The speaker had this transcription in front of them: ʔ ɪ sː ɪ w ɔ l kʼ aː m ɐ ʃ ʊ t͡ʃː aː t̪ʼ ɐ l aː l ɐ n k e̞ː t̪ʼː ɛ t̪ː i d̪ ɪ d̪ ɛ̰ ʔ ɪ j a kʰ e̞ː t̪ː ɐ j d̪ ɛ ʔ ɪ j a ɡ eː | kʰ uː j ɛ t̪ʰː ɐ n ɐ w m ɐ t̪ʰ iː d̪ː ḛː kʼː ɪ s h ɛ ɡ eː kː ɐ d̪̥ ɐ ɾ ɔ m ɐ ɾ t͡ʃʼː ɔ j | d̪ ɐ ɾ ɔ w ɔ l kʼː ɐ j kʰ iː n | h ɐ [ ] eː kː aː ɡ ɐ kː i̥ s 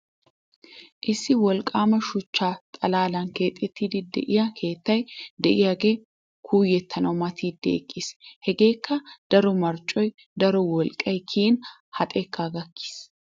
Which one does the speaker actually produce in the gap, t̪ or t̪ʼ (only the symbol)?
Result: t̪ʼ